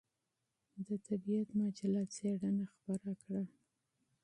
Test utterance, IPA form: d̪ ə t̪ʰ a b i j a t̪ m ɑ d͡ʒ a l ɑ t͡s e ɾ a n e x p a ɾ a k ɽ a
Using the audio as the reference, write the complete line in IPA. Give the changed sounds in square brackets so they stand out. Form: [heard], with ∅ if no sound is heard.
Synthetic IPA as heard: d̪ ə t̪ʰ a b i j a t̪ m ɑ d͡ʒ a l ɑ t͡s e [ɽ] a n [a] x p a ɾ a k ɽ a